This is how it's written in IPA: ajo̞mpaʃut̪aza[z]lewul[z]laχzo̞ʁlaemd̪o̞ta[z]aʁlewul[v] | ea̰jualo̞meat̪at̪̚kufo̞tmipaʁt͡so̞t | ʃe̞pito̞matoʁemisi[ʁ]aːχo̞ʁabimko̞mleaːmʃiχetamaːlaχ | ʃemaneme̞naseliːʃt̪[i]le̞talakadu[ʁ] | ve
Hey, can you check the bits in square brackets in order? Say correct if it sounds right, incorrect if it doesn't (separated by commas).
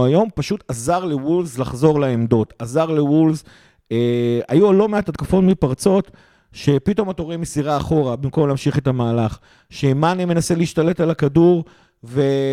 incorrect, correct, correct, incorrect, correct, incorrect, correct